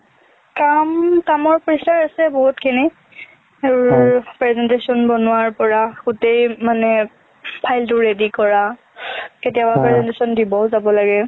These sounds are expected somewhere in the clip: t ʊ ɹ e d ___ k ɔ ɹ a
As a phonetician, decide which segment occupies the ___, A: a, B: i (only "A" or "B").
B